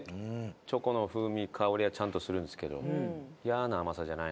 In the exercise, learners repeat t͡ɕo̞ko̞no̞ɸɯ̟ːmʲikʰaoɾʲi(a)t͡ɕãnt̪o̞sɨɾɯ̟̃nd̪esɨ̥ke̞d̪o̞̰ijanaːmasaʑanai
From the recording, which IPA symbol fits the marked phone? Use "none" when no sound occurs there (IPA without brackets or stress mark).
a